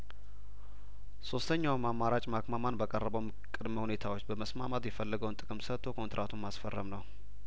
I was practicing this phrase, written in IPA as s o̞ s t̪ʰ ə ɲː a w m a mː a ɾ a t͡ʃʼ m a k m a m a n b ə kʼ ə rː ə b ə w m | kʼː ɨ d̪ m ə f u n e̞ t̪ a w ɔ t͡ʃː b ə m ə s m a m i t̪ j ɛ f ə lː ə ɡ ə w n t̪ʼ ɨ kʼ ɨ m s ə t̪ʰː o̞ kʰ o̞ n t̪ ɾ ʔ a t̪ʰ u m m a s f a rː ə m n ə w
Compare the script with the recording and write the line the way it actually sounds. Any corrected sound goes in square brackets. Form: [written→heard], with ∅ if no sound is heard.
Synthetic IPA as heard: s o̞ s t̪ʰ ə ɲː a w m a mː a ɾ a t͡ʃʼ m a k m a m a n b ə kʼ ə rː ə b ə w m | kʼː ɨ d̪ m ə [f→h] u n e̞ [t̪→t̪ʰ] a w [ɔ→o] t͡ʃː b ə m ə s m a m [i→a] t̪ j ɛ f ə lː ə ɡ ə w n t̪ʼ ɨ kʼ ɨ m s ə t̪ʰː o̞ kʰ o̞ n t̪ ɾ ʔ a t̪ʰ u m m a s f [a→ə] rː ə m n ə w